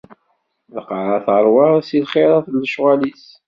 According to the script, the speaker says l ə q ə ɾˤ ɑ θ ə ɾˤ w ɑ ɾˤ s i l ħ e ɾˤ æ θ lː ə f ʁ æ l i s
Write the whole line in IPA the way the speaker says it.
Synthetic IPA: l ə q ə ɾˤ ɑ θ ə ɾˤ w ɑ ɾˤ s i l χ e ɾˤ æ θ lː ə ʃ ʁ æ l i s